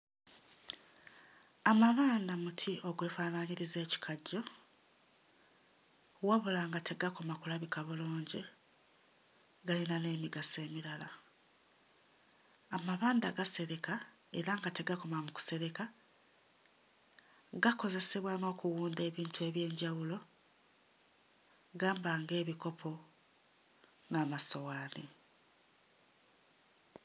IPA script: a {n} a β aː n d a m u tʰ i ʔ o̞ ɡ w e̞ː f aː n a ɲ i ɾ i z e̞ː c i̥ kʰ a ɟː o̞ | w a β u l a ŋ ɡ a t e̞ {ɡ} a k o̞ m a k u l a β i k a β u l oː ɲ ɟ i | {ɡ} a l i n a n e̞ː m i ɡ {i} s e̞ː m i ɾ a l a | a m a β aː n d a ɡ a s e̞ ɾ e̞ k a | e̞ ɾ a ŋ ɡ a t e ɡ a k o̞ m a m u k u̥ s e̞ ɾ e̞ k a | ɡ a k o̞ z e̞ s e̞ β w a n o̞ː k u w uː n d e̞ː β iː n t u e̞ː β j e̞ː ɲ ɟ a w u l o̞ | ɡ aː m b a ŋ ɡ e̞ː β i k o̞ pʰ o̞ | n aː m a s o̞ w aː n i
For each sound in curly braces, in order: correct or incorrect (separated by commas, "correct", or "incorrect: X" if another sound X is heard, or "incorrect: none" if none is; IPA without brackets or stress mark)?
incorrect: m, correct, correct, incorrect: a